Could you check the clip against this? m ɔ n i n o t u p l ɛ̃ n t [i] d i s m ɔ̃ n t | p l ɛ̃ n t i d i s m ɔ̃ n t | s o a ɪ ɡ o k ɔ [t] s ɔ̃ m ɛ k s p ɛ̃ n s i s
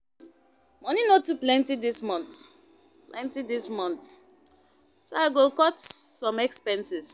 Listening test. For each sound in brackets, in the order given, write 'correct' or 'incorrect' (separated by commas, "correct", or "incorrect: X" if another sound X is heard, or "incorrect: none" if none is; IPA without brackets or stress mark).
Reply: correct, correct